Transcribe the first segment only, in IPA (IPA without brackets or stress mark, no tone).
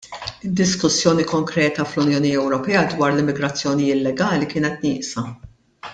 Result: ɪ